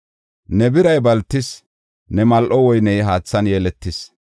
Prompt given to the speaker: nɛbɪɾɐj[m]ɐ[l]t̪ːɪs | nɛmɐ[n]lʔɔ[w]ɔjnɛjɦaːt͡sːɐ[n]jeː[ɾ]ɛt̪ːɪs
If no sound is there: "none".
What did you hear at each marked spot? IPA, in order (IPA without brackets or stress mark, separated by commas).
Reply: b, l, none, w, n, l